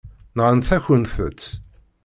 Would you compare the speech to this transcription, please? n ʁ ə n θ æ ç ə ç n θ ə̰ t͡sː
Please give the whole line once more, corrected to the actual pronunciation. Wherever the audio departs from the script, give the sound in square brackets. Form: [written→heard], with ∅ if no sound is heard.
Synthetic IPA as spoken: n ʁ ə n θ æ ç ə [ç→∅] n θ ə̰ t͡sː